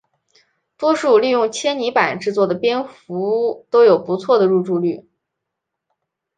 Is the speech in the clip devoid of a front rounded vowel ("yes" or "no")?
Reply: no